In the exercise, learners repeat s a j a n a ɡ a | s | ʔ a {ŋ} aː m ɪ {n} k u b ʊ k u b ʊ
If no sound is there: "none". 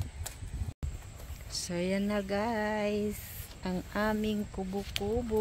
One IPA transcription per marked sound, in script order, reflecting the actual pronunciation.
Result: ŋ, ŋ

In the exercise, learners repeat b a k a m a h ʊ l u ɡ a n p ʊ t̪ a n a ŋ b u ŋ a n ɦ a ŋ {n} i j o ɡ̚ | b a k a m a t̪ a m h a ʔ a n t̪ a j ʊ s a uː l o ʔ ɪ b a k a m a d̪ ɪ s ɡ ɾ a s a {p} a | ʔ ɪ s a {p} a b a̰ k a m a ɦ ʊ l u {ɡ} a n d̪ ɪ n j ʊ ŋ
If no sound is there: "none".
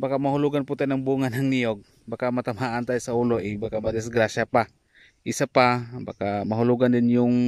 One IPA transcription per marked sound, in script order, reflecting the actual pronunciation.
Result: n, p, p, ɡ

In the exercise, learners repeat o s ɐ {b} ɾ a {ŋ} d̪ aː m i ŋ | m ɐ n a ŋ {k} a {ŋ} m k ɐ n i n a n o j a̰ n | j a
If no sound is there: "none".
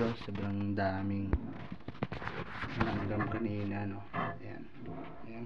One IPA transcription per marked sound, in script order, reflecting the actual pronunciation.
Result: b, ŋ, ɡ, none

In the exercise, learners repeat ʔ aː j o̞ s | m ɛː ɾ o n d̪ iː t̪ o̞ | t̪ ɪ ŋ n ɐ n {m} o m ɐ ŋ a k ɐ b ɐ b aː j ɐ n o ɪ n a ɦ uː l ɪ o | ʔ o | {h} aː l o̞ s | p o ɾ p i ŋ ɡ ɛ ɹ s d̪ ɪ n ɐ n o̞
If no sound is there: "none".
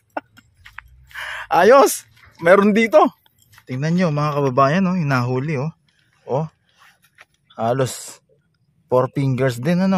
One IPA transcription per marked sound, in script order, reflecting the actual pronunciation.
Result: ɲ, h

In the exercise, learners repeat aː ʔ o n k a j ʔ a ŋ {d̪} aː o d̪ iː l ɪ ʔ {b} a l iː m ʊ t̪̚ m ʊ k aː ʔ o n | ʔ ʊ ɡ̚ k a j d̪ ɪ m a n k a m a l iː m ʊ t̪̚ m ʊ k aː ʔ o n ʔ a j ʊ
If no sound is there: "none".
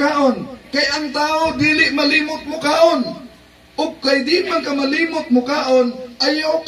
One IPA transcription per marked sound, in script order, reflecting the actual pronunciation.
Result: t̪, m

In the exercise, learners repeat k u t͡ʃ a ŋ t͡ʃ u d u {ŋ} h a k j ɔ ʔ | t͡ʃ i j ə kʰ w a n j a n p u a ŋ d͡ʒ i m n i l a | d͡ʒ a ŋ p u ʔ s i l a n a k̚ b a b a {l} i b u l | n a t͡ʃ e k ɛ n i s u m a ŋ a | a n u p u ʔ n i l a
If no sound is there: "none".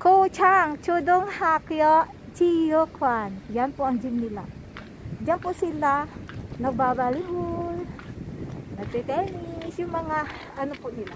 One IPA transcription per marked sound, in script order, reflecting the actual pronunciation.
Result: ŋ, l

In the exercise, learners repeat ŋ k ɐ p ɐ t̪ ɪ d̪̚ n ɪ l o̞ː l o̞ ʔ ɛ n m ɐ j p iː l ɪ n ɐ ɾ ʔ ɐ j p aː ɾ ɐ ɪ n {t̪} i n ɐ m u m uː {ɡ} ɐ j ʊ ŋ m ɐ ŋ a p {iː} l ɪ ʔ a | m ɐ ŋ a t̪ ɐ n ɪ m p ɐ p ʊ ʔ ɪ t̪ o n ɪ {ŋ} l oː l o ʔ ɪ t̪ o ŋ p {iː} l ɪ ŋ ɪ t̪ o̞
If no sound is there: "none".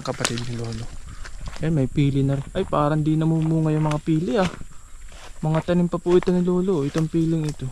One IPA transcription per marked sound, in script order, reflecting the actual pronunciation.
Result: d̪, ŋ, iː, none, iː

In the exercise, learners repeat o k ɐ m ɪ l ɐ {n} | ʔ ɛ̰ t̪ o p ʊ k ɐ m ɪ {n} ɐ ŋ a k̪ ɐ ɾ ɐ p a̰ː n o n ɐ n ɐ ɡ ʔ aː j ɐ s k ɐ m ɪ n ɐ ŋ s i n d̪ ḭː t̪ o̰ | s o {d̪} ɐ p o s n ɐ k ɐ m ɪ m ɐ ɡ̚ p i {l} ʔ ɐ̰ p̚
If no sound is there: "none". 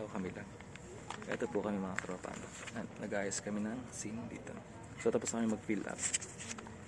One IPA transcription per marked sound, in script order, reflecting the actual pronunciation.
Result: ŋ, m, t̪, l

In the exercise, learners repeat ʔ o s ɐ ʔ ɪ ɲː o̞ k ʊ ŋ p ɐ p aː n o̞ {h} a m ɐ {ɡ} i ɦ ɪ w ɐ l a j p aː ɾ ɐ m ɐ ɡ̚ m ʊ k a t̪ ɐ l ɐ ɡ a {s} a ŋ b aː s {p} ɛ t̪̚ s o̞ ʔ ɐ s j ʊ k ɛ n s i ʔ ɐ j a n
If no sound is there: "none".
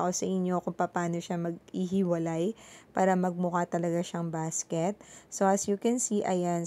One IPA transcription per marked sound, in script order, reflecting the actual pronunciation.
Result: ʃ, ɡ, ʃ, k

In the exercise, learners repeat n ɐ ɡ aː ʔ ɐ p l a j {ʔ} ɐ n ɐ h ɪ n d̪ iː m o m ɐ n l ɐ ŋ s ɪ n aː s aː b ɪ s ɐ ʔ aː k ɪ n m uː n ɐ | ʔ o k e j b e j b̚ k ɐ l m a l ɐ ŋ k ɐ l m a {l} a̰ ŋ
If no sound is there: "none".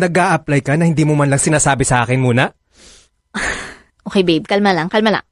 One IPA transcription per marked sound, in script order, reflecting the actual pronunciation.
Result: k, l

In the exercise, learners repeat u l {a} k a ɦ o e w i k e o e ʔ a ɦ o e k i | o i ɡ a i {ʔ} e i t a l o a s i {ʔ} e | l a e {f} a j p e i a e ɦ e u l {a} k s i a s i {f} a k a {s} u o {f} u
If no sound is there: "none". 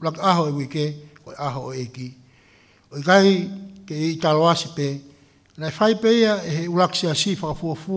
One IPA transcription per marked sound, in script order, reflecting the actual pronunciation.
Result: a, k, p, f, a, f, f, f

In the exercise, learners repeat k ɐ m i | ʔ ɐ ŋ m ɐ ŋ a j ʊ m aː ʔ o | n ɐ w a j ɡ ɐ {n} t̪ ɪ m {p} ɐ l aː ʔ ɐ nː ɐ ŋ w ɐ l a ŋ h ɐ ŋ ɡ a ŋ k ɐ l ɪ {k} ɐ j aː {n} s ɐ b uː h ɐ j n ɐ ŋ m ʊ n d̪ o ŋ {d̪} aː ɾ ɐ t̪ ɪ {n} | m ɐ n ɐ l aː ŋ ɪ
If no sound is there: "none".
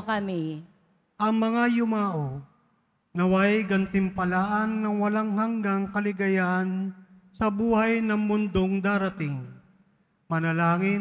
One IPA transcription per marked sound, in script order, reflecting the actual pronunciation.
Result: n, p, ɡ, n, d̪, ŋ

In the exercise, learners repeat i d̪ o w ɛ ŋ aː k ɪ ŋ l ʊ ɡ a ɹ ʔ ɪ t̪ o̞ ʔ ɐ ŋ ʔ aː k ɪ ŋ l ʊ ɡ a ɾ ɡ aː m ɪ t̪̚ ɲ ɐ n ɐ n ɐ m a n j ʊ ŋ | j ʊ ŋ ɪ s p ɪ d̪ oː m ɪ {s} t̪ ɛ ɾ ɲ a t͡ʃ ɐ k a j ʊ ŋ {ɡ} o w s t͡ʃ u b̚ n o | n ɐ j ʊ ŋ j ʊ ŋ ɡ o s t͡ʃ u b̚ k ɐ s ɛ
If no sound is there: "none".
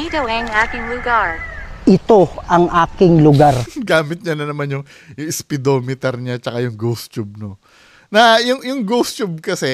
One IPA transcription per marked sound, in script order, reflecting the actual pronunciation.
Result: none, ɡ

